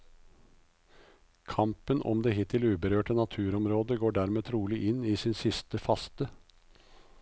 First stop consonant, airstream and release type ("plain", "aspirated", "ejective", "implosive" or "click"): aspirated